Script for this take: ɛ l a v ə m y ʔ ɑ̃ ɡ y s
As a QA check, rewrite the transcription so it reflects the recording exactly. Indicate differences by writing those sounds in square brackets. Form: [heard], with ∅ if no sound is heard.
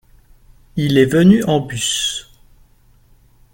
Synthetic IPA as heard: [i] l [ɛ] v ə [n] y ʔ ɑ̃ [b] y s